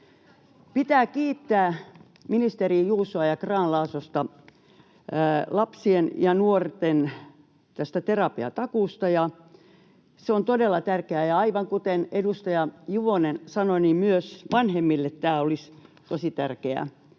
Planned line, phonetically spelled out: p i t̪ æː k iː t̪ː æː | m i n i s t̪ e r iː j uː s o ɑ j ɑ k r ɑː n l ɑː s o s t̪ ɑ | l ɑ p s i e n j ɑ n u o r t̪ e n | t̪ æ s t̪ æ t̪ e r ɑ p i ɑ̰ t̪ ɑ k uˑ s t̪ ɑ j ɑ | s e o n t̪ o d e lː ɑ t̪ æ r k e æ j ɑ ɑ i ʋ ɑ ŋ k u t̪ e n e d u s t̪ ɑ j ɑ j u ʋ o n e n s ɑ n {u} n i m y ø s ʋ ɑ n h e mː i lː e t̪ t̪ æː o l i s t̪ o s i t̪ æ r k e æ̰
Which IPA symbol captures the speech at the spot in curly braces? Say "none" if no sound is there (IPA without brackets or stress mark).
o